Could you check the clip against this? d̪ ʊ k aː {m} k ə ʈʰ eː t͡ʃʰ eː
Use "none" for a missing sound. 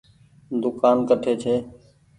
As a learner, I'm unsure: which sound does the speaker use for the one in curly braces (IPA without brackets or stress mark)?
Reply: n